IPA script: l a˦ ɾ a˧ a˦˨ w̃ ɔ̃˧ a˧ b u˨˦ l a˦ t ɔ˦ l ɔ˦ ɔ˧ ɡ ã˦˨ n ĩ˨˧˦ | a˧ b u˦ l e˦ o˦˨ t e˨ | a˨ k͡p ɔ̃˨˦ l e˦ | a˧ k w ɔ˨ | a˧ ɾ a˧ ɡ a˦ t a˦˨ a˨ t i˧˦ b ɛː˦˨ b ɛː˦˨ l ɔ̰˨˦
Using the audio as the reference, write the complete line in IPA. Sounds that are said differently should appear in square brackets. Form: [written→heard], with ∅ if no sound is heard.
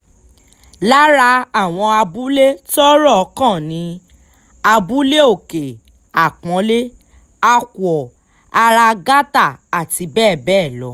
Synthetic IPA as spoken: l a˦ ɾ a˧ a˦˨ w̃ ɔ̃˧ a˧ b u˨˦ l [a˦→e˦] t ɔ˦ [l→ɾ] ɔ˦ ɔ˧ [ɡ→k] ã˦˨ n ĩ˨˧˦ | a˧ b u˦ l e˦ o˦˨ [t→k] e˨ | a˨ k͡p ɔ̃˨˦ l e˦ | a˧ k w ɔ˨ | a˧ ɾ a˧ ɡ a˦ t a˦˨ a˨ t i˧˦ b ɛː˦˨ b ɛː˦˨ l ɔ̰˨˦